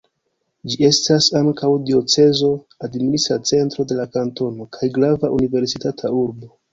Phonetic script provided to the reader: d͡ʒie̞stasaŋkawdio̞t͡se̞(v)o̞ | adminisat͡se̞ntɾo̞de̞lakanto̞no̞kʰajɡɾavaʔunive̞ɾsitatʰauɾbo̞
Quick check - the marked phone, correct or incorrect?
incorrect